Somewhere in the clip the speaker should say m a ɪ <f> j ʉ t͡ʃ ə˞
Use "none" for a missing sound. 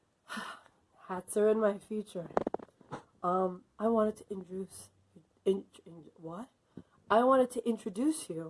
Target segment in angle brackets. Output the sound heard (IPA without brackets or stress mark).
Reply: f